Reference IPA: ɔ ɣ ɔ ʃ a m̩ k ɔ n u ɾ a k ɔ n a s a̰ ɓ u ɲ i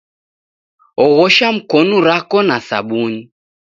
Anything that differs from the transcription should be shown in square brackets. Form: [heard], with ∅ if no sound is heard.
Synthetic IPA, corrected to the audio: ɔ ɣ ɔ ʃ a m̩ k ɔ n u ɾ a k ɔ n a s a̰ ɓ u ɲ i